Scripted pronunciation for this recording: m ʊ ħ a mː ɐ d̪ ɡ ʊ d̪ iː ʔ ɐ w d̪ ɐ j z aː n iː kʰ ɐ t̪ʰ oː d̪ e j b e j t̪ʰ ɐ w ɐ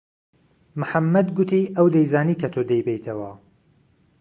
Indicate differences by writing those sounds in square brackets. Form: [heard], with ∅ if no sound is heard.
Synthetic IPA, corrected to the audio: m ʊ ħ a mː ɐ d̪ ɡ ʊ [t̪] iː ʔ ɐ w d̪ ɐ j z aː n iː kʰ ɐ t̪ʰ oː d̪ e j b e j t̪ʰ ɐ w ɐ

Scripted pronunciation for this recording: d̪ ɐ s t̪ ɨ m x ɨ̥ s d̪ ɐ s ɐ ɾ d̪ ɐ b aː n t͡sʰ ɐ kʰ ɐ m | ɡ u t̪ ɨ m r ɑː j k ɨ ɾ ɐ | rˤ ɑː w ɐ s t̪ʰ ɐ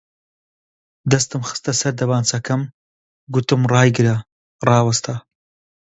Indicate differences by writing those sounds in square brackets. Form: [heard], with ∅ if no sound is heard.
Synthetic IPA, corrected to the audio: d̪ ɐ s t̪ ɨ m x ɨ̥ s [t̪] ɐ s ɐ ɾ d̪ ɐ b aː n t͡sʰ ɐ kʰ ɐ m | ɡ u t̪ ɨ m r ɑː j [ɡ] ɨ ɾ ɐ | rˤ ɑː w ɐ s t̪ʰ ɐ

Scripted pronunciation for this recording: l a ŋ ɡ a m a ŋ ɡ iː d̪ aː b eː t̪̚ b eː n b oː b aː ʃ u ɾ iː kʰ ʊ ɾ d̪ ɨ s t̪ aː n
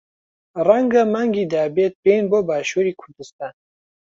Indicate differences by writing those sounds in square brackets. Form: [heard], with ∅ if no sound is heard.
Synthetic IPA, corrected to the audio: [r] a ŋ ɡ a m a ŋ ɡ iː d̪ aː b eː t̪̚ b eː n b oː b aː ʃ u ɾ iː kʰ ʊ ɾ d̪ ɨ s t̪ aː n

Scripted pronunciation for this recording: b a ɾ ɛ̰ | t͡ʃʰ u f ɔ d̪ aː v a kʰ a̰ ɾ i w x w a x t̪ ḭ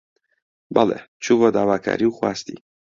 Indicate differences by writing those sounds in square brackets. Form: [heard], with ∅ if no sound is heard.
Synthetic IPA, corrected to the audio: b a [l] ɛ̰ | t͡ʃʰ u [v] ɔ d̪ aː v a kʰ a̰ ɾ i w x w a [s] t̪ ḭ

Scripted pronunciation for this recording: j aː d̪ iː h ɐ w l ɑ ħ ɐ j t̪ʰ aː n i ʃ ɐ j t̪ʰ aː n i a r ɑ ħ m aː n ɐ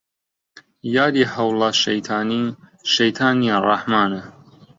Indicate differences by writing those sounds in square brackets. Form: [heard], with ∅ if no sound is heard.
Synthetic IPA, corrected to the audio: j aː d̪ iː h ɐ w l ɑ [ʃ] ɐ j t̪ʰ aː n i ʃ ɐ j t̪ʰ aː n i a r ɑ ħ m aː n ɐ

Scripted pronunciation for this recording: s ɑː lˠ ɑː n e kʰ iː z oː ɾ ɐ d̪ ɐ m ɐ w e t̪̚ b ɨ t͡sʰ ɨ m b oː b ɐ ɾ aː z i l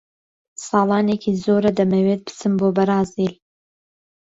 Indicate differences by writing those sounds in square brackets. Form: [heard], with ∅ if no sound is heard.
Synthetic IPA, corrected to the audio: s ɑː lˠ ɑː n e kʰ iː z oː ɾ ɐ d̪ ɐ m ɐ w e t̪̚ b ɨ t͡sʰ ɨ m b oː b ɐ ɾ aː z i l

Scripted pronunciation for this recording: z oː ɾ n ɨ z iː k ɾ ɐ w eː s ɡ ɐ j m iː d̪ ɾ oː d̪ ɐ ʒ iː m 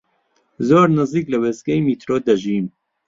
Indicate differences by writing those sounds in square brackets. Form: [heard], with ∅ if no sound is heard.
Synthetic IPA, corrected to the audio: z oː ɾ n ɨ z iː k [l] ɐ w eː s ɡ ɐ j m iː [t̪] ɾ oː d̪ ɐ ʒ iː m

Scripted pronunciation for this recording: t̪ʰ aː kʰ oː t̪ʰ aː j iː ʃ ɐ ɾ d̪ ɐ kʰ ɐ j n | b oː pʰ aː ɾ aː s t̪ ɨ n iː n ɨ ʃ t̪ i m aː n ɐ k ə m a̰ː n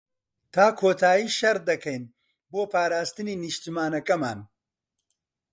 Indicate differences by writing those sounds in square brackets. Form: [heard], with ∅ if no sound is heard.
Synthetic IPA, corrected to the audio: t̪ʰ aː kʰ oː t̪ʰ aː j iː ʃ ɐ ɾ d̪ ɐ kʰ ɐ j n | b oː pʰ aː ɾ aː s t̪ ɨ n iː n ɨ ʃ t̪ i m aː n ɐ k [ɐ] m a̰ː n

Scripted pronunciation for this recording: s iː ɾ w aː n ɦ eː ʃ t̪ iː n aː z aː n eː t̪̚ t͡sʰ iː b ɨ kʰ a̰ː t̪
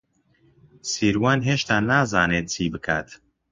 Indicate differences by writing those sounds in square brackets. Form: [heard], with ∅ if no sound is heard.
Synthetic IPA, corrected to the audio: s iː ɾ w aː n ɦ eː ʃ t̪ [aː] n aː z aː n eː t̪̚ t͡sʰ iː b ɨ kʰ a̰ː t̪

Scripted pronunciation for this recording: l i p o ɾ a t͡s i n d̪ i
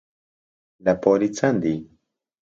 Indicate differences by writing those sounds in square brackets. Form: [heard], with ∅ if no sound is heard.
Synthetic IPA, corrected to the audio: l [a] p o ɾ [i] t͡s [a] n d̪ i

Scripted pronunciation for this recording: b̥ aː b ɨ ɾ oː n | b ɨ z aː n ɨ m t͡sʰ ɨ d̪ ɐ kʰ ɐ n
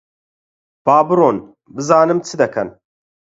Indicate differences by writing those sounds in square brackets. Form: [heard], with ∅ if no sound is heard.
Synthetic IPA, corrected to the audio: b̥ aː b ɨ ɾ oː n | b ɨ z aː n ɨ m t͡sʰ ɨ d̪ ɐ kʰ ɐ n

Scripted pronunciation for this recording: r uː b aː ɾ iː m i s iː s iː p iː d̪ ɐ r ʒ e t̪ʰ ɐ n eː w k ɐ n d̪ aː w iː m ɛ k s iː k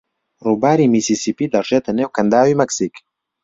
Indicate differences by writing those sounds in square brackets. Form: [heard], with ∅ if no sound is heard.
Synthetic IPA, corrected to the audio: r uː b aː ɾ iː m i s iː s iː p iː d̪ ɐ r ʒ e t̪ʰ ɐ n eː w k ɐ n d̪ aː w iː m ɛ k s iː k

